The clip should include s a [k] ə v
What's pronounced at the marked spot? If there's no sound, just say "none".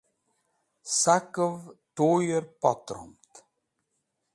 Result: k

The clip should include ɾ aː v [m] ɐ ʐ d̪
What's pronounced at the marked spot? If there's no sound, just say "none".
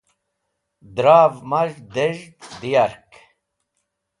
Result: m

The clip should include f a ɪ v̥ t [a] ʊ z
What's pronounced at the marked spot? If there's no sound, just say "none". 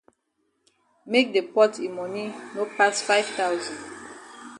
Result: a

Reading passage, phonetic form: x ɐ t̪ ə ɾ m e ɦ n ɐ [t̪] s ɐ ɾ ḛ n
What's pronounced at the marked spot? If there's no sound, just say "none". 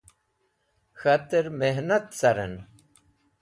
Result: t̪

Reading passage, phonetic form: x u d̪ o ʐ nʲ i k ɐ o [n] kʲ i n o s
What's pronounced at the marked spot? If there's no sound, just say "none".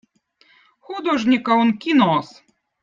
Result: n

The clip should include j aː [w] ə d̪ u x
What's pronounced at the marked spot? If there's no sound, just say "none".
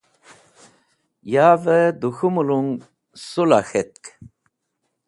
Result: v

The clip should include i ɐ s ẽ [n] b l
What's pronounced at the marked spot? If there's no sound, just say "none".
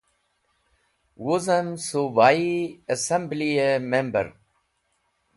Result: m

